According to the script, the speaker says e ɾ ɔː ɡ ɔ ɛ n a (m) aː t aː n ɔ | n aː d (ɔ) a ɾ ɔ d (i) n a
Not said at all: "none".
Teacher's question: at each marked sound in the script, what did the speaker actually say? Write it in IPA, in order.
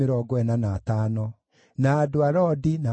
n, o, i

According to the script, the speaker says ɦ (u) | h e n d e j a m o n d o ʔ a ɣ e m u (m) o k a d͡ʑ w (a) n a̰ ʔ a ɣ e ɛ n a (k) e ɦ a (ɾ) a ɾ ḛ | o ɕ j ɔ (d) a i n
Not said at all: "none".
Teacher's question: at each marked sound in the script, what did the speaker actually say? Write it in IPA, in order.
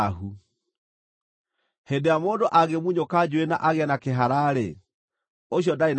u, ɲ, e, k, ɾ, d

